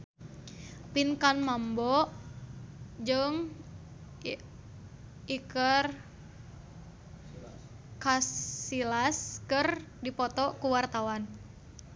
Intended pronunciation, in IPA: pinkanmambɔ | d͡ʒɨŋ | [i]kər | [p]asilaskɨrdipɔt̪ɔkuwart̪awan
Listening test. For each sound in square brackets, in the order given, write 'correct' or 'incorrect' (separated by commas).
correct, incorrect